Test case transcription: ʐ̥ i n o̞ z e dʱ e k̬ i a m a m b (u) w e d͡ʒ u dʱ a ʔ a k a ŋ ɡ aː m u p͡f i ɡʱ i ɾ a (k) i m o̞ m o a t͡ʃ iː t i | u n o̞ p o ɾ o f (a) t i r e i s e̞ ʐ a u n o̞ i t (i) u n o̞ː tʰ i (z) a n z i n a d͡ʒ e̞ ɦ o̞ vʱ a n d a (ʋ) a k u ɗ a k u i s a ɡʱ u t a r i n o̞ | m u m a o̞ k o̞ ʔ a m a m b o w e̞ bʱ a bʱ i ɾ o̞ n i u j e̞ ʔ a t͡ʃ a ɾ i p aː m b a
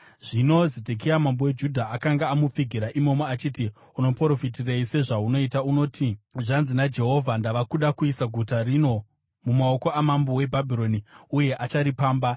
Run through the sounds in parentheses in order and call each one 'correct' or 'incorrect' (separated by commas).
incorrect, incorrect, incorrect, incorrect, incorrect, correct